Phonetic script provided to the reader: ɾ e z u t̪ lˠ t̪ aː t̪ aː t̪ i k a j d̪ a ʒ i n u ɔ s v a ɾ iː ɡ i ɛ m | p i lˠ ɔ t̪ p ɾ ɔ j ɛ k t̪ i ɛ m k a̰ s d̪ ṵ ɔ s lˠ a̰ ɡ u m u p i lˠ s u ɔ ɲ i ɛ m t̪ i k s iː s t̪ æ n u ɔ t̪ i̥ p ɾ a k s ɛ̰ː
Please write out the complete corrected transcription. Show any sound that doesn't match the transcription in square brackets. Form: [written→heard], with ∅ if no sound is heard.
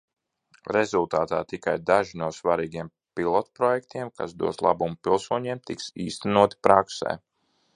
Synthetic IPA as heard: ɾ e z u [t̪→∅] lˠ t̪ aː t̪ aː t̪ i k a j d̪ a ʒ i n u ɔ s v a ɾ iː ɡ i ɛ m | p i lˠ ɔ t̪ p ɾ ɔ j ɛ k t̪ i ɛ m k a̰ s d̪ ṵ ɔ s lˠ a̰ [ɡ→b] u m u p i lˠ s u ɔ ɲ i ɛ m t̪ i k s iː s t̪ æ n u ɔ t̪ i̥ p ɾ a k s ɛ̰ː

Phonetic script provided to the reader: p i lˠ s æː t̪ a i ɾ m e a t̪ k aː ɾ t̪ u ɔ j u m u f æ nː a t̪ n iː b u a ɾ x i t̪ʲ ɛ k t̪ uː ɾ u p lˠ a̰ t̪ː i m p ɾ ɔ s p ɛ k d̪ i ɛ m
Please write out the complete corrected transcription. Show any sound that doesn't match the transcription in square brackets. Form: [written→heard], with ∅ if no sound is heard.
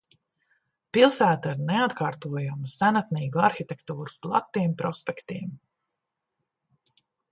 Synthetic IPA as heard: p i lˠ s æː t̪ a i ɾ [m→n] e a t̪ k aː ɾ t̪ u ɔ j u m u [f→s] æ [nː→n] a t̪ n iː [b→ɡ] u a ɾ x i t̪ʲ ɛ k t̪ uː ɾ u p lˠ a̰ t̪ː i m p ɾ ɔ s p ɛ k [d̪→t̪] i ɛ m

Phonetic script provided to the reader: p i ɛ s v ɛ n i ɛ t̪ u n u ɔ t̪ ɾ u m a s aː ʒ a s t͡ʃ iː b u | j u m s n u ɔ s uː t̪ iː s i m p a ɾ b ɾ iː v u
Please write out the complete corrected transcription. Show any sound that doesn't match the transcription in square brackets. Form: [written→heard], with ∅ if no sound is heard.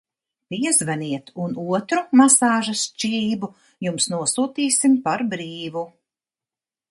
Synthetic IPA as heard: p i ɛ [s→z] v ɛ n i ɛ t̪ u n u ɔ t̪ ɾ u m a s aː ʒ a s t͡ʃ iː b u | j u m s n u ɔ s uː t̪ iː s i m p a ɾ b ɾ iː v u

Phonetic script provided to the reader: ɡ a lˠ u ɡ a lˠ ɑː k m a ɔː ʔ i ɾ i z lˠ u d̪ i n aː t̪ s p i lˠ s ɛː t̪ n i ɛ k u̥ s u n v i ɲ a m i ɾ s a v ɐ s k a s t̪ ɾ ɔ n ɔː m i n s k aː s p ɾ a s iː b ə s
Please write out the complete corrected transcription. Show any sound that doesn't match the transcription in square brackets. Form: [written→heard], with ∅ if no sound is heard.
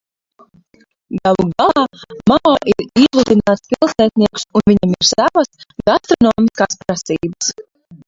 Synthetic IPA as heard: ɡ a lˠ u ɡ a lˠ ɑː [k→∅] m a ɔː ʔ i ɾ i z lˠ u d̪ i n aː t̪ s p i lˠ s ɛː t̪ n i ɛ k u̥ s u n v i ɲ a m i ɾ s a v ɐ s [k→ɡ] a s t̪ ɾ ɔ n ɔː m i [n→∅] s k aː s p ɾ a s iː b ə s

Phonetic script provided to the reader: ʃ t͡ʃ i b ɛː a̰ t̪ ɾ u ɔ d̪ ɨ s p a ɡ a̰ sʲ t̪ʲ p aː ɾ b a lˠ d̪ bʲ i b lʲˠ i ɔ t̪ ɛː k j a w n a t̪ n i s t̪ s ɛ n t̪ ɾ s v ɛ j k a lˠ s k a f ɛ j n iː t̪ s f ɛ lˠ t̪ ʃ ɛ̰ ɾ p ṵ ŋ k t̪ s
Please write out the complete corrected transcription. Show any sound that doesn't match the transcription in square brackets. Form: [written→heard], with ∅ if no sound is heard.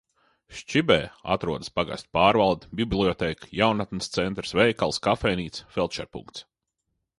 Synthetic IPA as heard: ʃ t͡ʃ i b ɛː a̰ t̪ ɾ u ɔ d̪ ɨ s p a ɡ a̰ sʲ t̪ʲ p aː ɾ [b→v] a lˠ d̪ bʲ i b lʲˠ i ɔ t̪ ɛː k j a w n a t̪ n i s t̪ s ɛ n t̪ ɾ s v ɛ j k a lˠ s k a f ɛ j n iː t̪ s f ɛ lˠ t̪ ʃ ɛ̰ ɾ p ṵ ŋ k t̪ s

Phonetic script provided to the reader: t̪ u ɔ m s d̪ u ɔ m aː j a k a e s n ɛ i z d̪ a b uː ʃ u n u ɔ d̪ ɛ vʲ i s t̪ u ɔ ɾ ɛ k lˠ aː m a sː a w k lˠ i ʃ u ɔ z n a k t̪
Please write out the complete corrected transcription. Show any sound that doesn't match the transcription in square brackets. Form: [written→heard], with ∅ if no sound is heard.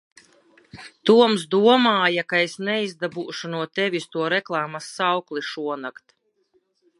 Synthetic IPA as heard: t̪ u ɔ m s d̪ u ɔ m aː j a k a e s n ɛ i z d̪ a b uː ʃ u n u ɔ [d̪→t̪] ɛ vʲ i s t̪ u ɔ ɾ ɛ k lˠ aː m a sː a w k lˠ i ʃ u ɔ [z→∅] n a k t̪

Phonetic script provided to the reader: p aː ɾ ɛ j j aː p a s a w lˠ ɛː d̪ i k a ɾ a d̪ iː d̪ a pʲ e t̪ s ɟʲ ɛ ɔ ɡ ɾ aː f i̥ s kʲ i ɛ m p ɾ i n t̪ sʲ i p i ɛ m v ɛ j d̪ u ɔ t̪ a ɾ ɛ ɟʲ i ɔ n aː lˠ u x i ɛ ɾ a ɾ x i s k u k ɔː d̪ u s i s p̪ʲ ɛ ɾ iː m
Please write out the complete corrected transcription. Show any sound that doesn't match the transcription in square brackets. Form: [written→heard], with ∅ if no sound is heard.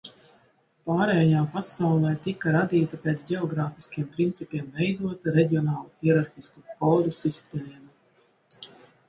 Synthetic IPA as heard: p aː ɾ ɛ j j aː p a s a w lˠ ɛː [d̪→t̪] i k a ɾ a d̪ iː [d̪→t̪] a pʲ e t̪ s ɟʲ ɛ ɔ ɡ ɾ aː f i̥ s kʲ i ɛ m p ɾ i n t̪ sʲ i p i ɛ m v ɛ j d̪ u ɔ t̪ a ɾ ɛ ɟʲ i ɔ n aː lˠ u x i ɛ ɾ a ɾ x i s k u k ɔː d̪ u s i s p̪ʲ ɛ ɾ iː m

